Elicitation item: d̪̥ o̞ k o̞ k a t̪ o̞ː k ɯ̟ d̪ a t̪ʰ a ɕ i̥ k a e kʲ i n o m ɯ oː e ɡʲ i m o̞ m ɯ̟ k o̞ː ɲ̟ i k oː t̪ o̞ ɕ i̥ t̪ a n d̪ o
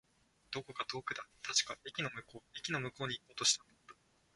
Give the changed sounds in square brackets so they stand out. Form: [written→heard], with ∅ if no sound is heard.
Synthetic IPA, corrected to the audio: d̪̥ o̞ k o̞ k a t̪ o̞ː k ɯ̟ d̪ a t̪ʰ a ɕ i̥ k a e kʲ i n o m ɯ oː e [ɡʲ→kʲ] i [m→n] o̞ m ɯ̟ k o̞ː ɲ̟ i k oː t̪ o̞ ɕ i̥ t̪ a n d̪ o